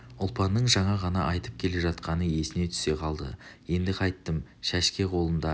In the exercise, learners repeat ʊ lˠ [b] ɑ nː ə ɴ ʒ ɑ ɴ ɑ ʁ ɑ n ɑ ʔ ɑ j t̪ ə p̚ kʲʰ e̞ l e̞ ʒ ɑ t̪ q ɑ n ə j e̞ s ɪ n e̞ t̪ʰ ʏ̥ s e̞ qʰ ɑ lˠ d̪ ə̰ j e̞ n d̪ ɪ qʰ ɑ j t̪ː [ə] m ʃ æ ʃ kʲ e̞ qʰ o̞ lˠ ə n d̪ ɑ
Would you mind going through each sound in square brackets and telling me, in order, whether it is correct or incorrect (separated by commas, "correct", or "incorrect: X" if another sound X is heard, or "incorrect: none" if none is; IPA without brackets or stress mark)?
incorrect: p, correct